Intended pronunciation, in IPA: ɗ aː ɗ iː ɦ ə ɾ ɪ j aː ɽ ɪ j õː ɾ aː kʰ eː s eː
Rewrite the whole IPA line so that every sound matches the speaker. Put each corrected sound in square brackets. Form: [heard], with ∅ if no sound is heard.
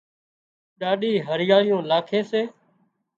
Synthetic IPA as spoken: ɗ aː ɗ iː ɦ ə ɾ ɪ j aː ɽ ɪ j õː [l] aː kʰ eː s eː